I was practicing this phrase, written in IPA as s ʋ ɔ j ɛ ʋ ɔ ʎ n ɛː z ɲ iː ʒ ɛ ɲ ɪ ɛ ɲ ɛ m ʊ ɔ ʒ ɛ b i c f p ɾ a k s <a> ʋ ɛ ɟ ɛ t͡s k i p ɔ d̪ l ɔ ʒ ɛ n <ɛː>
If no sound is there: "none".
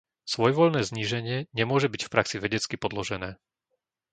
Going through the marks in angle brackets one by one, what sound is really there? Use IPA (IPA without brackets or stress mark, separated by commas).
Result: i, ɛː